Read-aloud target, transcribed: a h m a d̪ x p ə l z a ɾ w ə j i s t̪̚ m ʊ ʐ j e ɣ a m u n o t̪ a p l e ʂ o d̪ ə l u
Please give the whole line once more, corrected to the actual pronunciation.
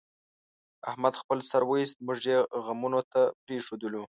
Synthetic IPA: a h m a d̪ x p ə l s a ɾ w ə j i s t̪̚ m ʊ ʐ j e ɣ a m u n o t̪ a p ɾ e ʂ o d̪ ə l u